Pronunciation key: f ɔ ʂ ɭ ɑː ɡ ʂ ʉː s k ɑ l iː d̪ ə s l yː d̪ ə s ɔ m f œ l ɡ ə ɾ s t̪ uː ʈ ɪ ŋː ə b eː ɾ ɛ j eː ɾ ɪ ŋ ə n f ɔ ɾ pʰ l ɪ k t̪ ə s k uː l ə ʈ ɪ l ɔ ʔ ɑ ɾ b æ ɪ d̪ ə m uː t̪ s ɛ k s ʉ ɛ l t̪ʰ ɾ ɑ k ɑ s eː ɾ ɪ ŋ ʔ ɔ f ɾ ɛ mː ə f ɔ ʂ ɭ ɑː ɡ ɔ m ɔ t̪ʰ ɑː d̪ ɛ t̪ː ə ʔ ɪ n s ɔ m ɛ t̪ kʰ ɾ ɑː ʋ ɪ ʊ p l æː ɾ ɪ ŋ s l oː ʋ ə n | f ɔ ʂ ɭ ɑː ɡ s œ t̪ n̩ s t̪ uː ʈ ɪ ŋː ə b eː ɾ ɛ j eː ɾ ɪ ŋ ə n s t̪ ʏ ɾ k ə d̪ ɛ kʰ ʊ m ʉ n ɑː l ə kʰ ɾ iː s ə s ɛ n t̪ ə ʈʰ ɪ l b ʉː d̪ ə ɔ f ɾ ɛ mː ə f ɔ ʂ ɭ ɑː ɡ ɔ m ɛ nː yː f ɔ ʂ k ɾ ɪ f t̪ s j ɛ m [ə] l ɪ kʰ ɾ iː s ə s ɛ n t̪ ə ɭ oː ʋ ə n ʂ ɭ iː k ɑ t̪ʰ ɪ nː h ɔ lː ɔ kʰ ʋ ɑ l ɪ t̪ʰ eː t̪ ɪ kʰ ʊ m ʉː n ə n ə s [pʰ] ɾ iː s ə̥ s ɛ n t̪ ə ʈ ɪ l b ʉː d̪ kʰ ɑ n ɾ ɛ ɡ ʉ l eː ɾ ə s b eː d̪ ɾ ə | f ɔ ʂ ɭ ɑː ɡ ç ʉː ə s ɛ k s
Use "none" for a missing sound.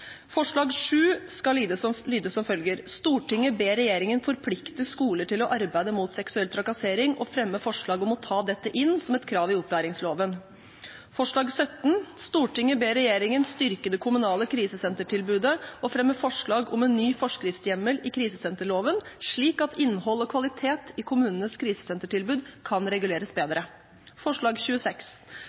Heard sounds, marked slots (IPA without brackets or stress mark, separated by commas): ə, kʰ